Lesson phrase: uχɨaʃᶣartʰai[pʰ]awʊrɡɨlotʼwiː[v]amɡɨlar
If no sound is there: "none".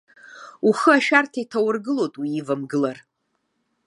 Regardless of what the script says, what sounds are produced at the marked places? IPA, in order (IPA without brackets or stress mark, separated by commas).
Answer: tʰ, v